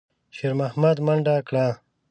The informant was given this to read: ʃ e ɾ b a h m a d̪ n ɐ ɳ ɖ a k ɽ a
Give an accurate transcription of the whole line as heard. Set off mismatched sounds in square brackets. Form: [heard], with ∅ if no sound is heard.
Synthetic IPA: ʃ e ɾ [m] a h m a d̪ [m] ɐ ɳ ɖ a k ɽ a